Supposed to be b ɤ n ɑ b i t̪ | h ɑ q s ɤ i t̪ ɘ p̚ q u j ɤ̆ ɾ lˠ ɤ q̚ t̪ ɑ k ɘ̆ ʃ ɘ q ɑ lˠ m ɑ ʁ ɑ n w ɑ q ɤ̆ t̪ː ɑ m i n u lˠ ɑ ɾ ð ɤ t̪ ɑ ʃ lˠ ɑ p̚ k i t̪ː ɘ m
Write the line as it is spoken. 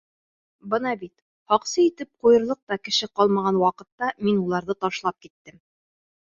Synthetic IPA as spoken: b ɤ n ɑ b i t̪ | h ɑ q s ɤ i t̪ ɘ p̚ q u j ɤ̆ ɾ lˠ ɤ q̚ t̪ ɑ k ɘ̆ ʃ ɘ q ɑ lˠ m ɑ ʁ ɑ n w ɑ q ɤ̆ t̪ː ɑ m i n u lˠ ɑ ɾ ð ɤ t̪ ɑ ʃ lˠ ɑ p̚ k i t̪ː ɘ m